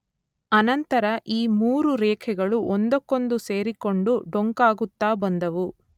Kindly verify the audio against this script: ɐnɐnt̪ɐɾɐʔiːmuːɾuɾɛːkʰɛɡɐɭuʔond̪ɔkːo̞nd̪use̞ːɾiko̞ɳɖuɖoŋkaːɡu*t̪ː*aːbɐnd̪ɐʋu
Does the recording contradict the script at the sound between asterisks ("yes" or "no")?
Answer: no